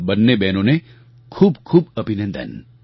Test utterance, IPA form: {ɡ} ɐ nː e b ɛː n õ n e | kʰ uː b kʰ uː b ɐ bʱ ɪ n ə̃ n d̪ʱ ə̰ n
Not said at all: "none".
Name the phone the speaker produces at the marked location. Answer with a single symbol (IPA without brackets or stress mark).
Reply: b